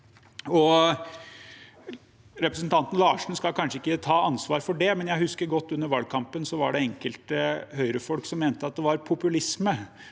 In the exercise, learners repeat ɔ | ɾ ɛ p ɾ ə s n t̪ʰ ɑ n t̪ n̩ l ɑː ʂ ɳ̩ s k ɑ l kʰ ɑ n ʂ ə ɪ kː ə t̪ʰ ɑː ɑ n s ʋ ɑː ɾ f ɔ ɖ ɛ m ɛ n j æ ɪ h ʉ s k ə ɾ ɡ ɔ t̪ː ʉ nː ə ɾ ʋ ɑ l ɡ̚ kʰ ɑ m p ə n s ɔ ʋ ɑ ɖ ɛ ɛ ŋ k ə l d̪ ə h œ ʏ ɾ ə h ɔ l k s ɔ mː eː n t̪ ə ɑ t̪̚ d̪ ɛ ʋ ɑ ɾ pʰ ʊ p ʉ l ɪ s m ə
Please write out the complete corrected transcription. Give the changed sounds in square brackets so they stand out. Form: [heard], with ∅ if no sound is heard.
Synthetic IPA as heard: ɔ | ɾ ɛ p ɾ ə s n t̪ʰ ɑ n t̪ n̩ l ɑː ʂ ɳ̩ s k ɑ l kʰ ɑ n ʂ ə ɪ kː ə t̪ʰ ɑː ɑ n s ʋ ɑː ɾ f ɔ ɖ ɛ m ɛ n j æ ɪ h ʉ s k ə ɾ ɡ ɔ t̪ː ʉ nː ə ɾ ʋ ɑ l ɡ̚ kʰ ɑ m p ə n s ɔ ʋ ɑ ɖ ɛ ɛ ŋ k ə l [t̪] ə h œ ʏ ɾ ə [f] ɔ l k s ɔ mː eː n t̪ ə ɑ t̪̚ d̪ ɛ ʋ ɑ ɾ pʰ ʊ p ʉ l ɪ s m ə